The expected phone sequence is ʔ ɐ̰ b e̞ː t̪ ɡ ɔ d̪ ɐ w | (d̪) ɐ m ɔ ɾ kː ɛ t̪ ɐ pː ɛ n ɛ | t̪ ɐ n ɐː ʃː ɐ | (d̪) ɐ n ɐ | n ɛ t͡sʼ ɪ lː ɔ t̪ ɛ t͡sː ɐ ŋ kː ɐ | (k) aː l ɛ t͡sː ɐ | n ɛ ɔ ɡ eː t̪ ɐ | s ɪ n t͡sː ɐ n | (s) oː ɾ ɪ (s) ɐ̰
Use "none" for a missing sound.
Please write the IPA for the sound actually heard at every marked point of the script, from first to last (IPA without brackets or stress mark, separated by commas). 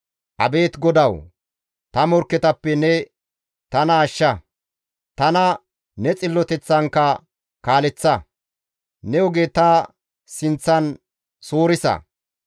t̪, t̪, k, s, s